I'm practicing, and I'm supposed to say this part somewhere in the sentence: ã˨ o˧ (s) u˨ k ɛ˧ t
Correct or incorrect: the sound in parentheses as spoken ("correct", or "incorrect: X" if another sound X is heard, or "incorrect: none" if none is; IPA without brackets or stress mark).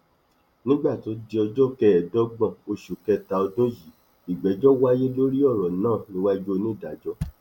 incorrect: ʃ